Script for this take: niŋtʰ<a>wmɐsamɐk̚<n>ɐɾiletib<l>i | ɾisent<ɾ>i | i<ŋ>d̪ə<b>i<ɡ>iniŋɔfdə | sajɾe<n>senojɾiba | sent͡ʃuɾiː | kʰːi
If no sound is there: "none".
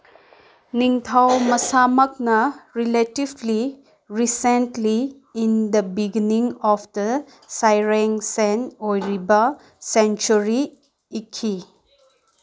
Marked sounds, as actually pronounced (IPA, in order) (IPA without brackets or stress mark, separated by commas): a, n, l, l, n, b, ɡ, ŋ